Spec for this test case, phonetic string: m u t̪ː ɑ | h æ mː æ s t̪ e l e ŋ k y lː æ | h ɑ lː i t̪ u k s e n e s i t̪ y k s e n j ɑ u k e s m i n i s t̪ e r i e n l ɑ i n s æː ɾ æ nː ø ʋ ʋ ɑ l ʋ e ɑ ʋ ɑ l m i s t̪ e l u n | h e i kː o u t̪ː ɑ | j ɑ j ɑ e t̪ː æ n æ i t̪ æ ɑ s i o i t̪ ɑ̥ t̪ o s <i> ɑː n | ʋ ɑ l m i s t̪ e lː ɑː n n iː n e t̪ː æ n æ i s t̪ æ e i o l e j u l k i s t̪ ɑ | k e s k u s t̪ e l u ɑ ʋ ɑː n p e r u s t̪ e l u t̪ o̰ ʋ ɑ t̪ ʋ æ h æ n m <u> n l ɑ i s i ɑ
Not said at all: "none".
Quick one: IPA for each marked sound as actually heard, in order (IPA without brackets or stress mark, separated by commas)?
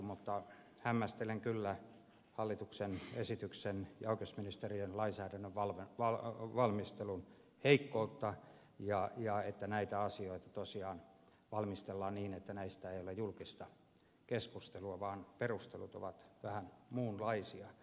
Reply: i, uː